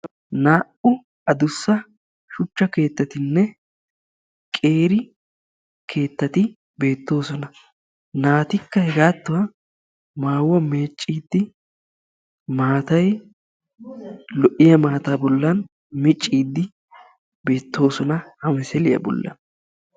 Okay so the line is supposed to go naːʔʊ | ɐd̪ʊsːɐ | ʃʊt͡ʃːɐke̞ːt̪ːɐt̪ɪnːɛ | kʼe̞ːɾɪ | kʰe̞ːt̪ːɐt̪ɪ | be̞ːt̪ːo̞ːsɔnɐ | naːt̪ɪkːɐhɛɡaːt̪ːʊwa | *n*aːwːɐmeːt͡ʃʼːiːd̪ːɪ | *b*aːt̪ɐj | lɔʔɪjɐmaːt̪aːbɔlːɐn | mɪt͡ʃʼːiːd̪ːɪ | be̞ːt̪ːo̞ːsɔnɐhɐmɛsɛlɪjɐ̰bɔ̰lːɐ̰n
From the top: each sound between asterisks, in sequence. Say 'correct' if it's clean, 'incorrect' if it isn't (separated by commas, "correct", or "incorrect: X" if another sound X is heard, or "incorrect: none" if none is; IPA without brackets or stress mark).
incorrect: m, incorrect: m